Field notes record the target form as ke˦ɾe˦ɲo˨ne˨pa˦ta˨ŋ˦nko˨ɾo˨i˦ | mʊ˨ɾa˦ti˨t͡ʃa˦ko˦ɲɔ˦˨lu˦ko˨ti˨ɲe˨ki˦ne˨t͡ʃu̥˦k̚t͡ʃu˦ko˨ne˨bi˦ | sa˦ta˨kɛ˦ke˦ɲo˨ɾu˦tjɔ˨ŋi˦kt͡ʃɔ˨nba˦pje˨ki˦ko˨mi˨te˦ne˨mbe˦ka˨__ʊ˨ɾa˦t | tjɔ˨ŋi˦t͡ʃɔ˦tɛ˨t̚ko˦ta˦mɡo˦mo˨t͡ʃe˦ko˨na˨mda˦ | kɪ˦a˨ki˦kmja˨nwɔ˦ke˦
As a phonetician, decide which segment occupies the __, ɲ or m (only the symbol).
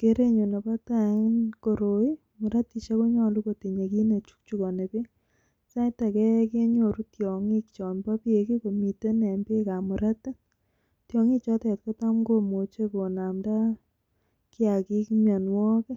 m